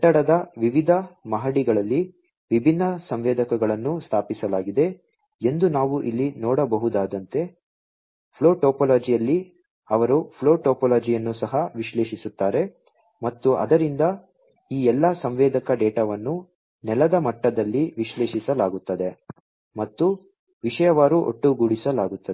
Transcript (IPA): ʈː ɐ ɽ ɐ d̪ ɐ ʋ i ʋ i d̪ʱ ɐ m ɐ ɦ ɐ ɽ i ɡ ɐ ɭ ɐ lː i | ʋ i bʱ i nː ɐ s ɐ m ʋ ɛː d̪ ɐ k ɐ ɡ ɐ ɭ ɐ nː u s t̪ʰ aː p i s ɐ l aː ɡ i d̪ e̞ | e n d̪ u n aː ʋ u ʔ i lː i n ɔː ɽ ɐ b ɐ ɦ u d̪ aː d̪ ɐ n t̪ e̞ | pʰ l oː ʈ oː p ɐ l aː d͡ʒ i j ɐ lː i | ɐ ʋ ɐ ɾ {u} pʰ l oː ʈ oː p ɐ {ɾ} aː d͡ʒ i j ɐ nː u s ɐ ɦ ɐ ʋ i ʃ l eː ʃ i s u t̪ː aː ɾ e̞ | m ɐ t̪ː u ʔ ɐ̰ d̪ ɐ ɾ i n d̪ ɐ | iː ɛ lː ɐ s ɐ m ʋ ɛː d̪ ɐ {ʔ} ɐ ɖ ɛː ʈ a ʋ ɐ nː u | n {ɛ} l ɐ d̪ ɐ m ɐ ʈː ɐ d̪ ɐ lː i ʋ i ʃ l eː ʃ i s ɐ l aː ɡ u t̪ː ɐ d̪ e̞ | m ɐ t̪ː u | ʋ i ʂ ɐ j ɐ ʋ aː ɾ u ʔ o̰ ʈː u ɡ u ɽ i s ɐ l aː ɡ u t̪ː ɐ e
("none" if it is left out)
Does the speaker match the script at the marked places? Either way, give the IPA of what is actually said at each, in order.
u, l, k, ɛ

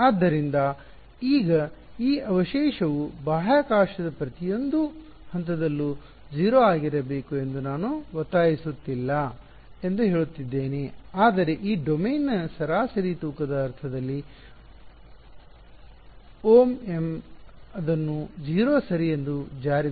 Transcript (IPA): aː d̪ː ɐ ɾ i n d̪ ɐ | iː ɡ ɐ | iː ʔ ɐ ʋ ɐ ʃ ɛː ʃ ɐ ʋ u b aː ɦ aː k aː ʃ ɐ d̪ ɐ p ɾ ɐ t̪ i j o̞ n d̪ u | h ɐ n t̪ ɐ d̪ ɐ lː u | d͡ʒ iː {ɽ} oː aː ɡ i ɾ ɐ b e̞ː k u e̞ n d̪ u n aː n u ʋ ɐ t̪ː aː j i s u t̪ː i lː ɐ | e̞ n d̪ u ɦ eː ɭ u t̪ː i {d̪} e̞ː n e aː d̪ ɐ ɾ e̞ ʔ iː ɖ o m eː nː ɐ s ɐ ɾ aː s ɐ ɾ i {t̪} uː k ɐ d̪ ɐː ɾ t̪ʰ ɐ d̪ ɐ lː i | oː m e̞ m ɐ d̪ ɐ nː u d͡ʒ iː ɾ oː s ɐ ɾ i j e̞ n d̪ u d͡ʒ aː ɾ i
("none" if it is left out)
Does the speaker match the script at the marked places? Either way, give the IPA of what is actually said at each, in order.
ɾ, d̪ː, t̪

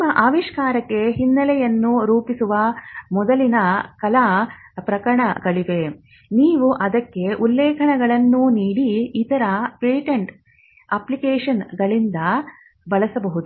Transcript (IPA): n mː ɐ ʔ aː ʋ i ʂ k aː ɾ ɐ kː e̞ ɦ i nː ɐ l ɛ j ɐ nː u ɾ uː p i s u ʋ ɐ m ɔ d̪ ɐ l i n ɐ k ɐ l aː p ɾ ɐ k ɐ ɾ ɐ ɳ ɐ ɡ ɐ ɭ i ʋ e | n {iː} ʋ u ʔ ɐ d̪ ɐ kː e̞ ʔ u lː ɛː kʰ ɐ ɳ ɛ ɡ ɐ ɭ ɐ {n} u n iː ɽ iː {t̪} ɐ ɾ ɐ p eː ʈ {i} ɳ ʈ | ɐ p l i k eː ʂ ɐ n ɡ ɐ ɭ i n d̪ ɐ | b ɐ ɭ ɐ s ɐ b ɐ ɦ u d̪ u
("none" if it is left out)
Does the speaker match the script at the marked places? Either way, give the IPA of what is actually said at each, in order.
iː, nː, t̪, e

